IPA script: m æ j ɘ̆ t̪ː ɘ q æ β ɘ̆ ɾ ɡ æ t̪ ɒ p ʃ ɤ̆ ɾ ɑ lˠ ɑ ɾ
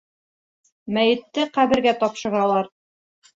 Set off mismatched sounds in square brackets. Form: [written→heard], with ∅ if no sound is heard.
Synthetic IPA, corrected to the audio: m æ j ɘ̆ t̪ː ɘ q æ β ɘ̆ ɾ ɡ æ t̪ ɒ p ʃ ɤ̆ ɾ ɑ lˠ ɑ ɾ